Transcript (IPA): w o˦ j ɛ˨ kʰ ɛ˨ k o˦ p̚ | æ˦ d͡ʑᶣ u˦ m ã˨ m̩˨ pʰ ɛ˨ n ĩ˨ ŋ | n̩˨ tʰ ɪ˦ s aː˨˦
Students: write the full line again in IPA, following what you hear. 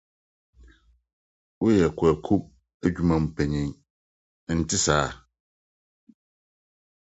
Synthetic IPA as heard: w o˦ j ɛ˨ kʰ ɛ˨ kʰ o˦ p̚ | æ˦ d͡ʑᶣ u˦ m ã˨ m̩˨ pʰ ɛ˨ ɲ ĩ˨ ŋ | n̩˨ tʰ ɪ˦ s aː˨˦